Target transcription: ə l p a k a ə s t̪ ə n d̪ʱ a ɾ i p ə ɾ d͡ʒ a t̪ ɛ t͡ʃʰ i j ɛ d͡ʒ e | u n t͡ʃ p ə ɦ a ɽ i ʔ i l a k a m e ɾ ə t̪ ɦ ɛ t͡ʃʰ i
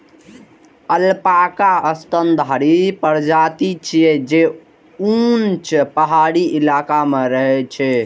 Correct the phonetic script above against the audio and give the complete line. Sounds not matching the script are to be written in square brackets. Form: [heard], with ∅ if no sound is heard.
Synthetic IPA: ə l p a k a ə s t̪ ə n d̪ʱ a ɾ i p ə ɾ d͡ʒ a t̪ [i] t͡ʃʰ i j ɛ d͡ʒ e | u n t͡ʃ p ə ɦ a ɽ i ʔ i l a k a m e ɾ ə [∅] ɦ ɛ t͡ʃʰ [ɛ]